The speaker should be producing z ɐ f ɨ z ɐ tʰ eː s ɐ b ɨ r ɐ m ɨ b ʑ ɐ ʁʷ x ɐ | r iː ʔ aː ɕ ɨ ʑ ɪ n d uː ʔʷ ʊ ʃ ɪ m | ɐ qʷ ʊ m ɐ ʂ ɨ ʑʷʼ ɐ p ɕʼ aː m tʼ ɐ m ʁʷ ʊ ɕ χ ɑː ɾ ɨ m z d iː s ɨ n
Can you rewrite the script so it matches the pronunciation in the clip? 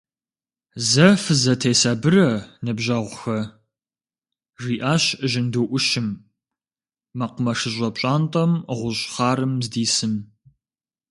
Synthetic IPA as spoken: z ɐ f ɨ z ɐ tʰ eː s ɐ b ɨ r ɐ n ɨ b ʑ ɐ ʁʷ x ɐ | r iː ʔ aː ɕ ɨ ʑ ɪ n d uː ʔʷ ʊ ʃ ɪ m | ɐ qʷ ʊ m ɐ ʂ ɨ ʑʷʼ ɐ p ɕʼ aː n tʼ ɐ m ʁʷ ʊ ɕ χ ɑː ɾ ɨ m z d iː s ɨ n